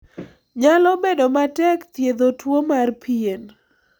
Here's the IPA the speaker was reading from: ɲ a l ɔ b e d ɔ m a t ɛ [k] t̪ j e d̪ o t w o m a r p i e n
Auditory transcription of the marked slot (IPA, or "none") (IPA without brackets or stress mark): k